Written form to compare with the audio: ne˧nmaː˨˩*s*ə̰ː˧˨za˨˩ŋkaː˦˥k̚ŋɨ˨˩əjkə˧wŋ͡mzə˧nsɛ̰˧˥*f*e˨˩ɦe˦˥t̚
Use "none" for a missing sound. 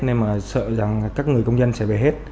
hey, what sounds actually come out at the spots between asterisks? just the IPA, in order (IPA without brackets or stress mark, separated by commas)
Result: s, v